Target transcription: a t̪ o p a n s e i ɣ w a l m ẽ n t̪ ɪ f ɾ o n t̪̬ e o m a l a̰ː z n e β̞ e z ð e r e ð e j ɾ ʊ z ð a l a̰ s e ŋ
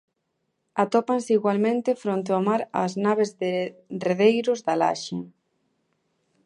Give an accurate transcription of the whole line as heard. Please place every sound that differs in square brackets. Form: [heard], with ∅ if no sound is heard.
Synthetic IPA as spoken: a t̪ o p a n s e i ɣ w a l m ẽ n t̪ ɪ f ɾ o n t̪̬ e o m a [ɾ] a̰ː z n [a] β̞ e z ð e r e ð e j ɾ ʊ z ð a l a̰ [ʃ] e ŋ